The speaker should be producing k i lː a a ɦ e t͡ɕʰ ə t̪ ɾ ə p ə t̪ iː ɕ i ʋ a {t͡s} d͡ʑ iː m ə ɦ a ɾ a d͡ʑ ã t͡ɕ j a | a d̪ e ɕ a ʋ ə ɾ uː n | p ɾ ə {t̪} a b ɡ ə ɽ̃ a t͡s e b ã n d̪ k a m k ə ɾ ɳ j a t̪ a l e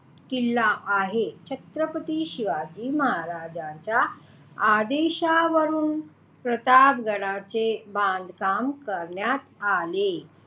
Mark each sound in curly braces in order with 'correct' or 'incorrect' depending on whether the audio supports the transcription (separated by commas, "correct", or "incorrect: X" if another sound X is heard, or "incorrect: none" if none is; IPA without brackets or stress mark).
incorrect: none, correct